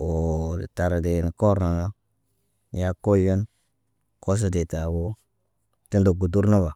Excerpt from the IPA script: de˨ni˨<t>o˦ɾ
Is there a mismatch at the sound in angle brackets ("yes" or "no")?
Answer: yes